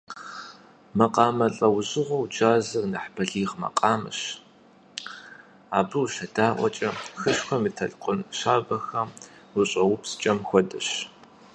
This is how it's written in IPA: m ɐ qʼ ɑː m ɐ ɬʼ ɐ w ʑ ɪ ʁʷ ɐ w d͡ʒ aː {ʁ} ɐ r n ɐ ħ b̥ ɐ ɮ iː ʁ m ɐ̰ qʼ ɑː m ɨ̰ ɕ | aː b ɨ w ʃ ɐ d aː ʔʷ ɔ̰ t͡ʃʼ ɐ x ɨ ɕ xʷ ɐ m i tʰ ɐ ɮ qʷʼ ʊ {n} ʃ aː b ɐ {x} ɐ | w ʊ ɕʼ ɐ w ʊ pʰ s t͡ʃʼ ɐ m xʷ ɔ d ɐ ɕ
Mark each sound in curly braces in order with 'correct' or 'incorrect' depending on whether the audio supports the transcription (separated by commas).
incorrect, correct, correct